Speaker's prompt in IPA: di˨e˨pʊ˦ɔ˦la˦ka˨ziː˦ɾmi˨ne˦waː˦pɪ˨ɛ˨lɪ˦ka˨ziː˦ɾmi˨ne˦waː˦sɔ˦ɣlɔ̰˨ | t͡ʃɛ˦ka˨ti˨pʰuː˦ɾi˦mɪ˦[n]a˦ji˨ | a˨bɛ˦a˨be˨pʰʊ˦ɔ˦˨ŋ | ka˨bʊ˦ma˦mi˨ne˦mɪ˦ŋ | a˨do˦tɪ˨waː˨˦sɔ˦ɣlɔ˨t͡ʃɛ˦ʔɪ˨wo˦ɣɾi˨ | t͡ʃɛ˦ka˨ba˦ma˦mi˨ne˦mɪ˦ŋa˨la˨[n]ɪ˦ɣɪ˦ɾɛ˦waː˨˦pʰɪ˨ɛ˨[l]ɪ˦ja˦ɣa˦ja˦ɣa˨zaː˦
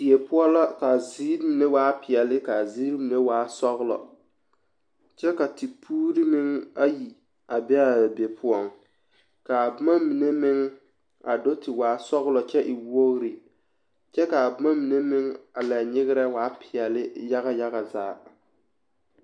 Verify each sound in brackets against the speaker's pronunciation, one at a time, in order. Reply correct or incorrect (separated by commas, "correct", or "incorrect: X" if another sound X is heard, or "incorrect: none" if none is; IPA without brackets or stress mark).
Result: incorrect: ŋ, incorrect: ɲ, correct